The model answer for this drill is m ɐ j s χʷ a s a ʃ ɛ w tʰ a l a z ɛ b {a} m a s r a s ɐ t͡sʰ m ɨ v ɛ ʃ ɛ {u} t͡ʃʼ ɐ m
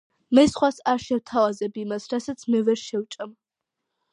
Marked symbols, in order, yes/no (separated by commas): no, no